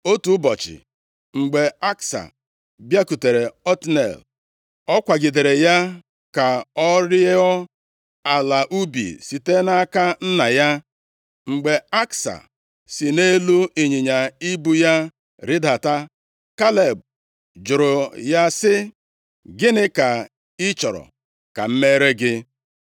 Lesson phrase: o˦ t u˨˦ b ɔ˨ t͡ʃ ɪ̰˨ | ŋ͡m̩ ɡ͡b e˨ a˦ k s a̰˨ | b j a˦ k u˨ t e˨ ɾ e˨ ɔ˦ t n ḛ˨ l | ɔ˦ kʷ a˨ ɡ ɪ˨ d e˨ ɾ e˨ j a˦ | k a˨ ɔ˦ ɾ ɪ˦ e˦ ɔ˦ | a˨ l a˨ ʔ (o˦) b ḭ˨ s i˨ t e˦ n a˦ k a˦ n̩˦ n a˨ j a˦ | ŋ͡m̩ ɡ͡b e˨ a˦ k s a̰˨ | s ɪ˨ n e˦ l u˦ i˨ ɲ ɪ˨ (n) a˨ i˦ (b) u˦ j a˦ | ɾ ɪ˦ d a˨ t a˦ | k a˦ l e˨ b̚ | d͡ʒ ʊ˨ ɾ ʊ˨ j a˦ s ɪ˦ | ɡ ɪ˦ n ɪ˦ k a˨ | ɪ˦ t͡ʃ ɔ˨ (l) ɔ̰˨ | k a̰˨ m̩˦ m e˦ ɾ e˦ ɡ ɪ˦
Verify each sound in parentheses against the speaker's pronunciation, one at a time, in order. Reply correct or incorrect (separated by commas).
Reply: incorrect, incorrect, correct, incorrect